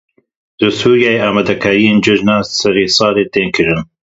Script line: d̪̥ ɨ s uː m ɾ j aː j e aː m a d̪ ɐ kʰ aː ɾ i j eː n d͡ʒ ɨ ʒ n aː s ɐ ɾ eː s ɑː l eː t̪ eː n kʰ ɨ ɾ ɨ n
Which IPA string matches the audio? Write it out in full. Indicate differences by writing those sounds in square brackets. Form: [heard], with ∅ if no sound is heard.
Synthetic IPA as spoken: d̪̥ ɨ s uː [∅] ɾ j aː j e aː m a d̪ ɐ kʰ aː ɾ i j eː n d͡ʒ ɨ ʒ n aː s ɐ ɾ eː s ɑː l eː t̪ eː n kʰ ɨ ɾ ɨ n

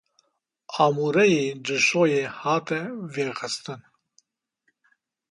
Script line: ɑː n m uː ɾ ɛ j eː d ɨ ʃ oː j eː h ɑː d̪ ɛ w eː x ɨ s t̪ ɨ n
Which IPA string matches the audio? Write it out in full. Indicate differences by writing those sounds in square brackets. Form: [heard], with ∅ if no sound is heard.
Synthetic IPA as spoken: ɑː [∅] m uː ɾ ɛ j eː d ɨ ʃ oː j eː h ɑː [t̪] ɛ [v] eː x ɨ s t̪ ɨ n

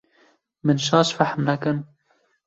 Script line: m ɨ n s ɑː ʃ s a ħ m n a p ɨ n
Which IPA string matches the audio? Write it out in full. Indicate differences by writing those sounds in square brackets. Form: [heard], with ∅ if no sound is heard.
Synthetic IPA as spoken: m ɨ n [ʃ] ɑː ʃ [f] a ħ m n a [k] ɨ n

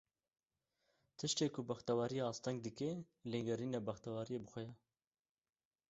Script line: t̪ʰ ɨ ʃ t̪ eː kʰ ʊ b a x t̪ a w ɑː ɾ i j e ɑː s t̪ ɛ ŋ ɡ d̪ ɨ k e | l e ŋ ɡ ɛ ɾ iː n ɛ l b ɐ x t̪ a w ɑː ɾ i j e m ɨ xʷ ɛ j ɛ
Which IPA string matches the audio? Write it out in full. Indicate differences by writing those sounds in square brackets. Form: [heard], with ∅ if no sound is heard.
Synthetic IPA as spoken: t̪ʰ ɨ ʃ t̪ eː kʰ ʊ b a x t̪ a w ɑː ɾ i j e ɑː s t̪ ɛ ŋ ɡ d̪ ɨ k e | l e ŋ ɡ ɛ ɾ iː n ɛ [∅] b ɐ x t̪ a w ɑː ɾ i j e [b] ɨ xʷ ɛ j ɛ

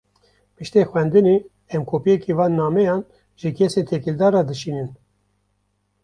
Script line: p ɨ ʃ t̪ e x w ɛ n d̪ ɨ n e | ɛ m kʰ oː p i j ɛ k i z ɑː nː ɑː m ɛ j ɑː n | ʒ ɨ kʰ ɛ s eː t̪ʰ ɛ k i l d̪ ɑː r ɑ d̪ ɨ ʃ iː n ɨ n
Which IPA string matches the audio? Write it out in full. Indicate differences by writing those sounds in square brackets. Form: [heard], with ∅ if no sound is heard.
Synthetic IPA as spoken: p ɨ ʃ t̪ e x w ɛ n d̪ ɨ n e | ɛ m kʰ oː p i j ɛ k i [v] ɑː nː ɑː m ɛ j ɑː n | ʒ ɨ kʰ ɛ s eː t̪ʰ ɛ k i l d̪ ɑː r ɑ d̪ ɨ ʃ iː n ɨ n

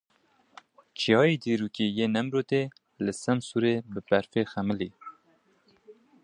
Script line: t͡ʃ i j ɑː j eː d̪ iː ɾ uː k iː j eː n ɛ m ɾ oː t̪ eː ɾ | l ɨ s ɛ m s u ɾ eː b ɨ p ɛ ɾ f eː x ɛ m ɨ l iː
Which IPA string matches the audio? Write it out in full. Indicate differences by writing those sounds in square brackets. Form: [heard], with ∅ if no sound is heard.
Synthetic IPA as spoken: t͡ʃ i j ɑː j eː d̪ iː ɾ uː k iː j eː n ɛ m ɾ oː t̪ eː [∅] | l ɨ s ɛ m s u ɾ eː b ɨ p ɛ ɾ f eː x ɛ m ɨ l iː

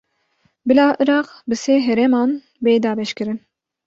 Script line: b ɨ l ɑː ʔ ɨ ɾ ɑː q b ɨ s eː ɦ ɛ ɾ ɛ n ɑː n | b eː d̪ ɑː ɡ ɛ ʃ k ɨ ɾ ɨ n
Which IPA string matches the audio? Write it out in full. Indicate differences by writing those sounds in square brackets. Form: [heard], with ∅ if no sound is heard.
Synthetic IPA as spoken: b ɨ l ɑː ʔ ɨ ɾ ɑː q b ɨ s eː ɦ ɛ ɾ ɛ [m] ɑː n | b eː d̪ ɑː [b] ɛ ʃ k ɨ ɾ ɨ n

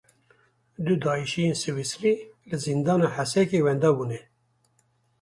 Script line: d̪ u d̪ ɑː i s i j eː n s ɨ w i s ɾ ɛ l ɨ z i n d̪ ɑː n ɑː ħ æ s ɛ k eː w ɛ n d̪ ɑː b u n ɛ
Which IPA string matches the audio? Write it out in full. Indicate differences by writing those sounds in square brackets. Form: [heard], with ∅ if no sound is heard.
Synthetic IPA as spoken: d̪ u d̪ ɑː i [ʃ] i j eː n s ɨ w i s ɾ [i] l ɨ z i n d̪ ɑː n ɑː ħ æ s ɛ k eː w ɛ n d̪ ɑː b u n ɛ

